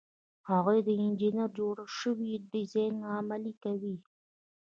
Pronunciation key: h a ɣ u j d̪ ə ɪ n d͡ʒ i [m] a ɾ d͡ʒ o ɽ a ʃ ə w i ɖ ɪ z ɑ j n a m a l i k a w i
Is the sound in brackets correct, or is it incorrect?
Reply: incorrect: n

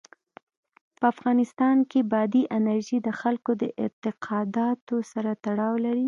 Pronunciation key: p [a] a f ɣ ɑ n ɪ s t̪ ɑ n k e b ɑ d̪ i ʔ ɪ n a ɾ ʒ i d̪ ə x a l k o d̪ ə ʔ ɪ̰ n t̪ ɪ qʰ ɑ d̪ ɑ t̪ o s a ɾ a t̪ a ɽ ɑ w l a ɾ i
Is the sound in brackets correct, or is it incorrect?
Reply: incorrect: ə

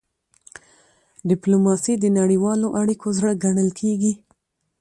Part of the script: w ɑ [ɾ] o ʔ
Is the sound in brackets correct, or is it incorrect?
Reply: incorrect: l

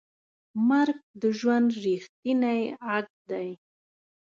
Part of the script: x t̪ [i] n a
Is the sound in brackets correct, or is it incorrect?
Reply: correct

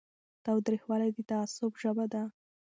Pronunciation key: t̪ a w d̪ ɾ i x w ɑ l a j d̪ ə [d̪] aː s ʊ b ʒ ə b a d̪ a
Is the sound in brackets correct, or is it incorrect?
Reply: incorrect: t̪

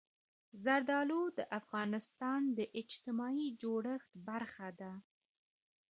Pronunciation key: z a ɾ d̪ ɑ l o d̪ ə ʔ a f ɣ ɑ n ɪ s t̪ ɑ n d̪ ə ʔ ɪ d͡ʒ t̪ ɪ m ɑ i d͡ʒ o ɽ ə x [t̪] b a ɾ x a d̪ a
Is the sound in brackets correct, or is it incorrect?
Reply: correct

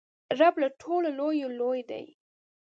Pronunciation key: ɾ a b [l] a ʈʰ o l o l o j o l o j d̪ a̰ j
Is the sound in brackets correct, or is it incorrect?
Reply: correct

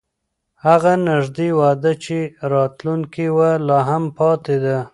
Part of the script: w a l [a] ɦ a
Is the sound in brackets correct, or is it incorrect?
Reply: incorrect: ɑ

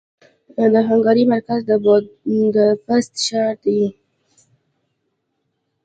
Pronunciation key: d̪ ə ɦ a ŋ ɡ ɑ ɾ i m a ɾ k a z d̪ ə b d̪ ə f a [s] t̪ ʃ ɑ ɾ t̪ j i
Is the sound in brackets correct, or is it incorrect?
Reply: correct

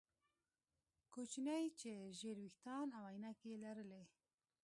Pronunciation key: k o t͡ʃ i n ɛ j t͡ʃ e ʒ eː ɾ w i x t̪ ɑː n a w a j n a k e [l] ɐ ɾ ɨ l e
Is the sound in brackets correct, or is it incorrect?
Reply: correct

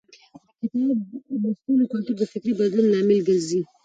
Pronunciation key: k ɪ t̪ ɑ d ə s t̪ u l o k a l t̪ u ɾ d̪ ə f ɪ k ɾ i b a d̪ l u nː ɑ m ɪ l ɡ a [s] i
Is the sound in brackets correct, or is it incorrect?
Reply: incorrect: z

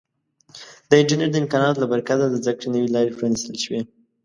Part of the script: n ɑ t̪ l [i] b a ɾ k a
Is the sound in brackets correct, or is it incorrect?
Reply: incorrect: a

